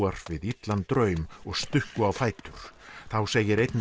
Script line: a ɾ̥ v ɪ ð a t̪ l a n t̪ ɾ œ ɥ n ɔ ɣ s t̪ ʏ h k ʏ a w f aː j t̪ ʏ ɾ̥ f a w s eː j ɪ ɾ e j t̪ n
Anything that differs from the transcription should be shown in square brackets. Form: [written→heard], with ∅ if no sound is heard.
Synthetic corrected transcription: a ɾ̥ v ɪ ð [a→i] t̪ l a n t̪ ɾ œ ɥ [n→m] ɔ ɣ s t̪ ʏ h k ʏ a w f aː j t̪ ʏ ɾ̥ [f→θ] a w s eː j ɪ ɾ e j t̪ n

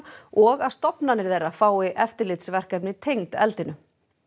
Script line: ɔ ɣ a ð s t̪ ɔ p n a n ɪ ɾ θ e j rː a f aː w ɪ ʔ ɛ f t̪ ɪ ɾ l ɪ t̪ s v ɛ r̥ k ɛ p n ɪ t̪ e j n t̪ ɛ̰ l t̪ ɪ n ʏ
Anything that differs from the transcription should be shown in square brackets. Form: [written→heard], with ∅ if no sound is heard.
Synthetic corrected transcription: ɔ ɣ a ð s t̪ ɔ p n a n ɪ ɾ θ e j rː a f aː w ɪ ʔ ɛ f t̪ ɪ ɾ l ɪ t̪ s v ɛ r̥ k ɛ p n ɪ [t̪→t̪ʰ] e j [n→ŋ] t̪ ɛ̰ l t̪ ɪ n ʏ

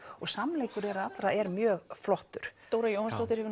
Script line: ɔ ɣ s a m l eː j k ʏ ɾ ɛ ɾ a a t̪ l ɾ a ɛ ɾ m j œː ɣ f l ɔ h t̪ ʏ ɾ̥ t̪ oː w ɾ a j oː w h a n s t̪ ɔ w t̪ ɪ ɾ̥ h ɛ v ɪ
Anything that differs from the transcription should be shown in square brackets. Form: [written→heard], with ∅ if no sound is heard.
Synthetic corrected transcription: ɔ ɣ s a m l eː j k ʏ ɾ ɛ ɾ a a t̪ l ɾ a ɛ ɾ m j œː ɣ f l ɔ h t̪ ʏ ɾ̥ t̪ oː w ɾ a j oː w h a n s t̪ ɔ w t̪ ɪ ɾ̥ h ɛ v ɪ

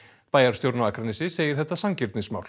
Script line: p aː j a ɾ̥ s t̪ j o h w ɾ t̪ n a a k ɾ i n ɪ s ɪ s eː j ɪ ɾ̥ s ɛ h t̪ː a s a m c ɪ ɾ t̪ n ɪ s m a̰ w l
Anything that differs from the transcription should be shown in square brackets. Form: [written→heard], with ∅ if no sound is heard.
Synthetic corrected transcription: p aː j a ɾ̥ s t̪ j o [h→∅] w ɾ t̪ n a a k ɾ [i→a] n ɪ s ɪ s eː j ɪ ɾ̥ [s→θ] ɛ h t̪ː a s a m c ɪ ɾ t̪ n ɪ s m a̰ w l

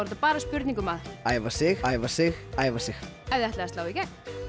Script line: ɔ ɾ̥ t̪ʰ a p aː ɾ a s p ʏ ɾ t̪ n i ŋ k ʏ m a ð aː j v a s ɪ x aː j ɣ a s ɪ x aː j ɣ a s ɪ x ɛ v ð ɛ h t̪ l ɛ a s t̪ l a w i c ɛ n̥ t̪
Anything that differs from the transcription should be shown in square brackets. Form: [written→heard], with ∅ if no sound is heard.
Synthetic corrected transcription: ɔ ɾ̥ [t̪ʰ→t̪] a p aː ɾ a s p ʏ ɾ t̪ n i ŋ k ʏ m a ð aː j v a s ɪ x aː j [ɣ→v] a s ɪ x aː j [ɣ→v] a s ɪ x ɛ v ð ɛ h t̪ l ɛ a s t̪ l a w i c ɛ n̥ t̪

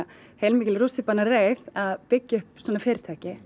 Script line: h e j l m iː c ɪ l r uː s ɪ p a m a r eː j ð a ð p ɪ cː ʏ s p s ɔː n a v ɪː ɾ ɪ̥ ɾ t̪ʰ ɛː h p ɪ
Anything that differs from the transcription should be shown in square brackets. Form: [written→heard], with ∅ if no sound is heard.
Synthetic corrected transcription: h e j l m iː c ɪ l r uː s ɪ p a [m→n] a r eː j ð a ð p ɪ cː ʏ [s→h] p s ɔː n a [v→f] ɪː ɾ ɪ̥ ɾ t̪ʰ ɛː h [p→c] ɪ

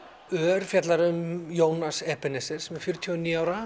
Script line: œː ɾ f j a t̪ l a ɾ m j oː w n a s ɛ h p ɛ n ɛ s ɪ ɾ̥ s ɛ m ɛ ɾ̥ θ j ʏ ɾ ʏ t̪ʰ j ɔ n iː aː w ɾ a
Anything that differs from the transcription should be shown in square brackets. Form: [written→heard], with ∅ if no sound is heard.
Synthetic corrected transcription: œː ɾ f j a t̪ l a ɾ m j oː w n a s ɛ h p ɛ n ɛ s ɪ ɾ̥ s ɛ m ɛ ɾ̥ [θ→f] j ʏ ɾ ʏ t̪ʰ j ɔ n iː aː w ɾ a

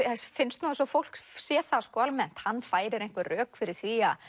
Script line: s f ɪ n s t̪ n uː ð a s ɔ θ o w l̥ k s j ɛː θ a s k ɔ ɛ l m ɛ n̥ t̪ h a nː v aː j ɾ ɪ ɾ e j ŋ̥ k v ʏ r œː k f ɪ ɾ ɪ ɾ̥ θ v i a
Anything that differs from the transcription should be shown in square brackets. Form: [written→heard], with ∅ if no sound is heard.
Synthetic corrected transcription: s f ɪ n s t̪ n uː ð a s ɔ [θ→f] o w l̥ k s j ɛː θ a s k ɔ [ɛ→a] l m ɛ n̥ t̪ h a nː [v→f] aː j ɾ ɪ ɾ e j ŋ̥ k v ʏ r œː k f ɪ ɾ ɪ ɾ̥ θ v i a

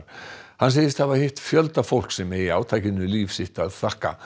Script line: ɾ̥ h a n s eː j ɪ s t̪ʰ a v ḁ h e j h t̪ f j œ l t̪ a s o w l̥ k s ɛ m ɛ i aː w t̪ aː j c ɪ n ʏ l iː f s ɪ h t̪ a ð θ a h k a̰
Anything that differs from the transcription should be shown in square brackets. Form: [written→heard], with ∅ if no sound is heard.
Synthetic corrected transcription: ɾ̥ h a n s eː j ɪ s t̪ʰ a v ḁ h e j h t̪ f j œ l t̪ a [s→f] o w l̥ k s ɛ m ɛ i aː w [t̪→t̪ʰ] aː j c ɪ n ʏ l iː f s ɪ h t̪ a ð θ a h k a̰

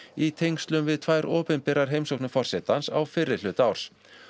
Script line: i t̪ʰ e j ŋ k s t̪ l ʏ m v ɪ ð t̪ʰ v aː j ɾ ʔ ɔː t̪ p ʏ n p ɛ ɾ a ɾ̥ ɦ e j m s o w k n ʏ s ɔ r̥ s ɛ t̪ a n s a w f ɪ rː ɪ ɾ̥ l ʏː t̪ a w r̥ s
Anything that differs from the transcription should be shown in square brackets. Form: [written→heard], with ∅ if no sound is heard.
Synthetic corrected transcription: i t̪ʰ e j ŋ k s t̪ l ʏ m v ɪ ð t̪ʰ v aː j ɾ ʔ ɔː [t̪→∅] p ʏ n p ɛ ɾ a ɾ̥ ɦ e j m s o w k n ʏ [s→f] ɔ r̥ s ɛ t̪ a n s a w f ɪ rː ɪ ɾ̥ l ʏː t̪ a w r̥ s

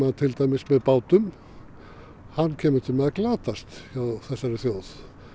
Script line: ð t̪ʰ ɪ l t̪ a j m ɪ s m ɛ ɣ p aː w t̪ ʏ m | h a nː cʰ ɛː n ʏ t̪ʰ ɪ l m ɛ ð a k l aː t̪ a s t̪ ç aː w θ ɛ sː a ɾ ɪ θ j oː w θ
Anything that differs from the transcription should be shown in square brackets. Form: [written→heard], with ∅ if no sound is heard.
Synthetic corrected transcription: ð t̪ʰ ɪ l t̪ a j m ɪ s m ɛ [ɣ→ð] p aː w t̪ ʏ m | h a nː cʰ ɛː [n→m] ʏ t̪ʰ ɪ l m ɛ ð a k l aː t̪ a s t̪ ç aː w θ ɛ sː a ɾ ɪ θ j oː w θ

